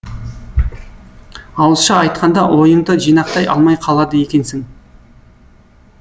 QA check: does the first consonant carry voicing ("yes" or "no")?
yes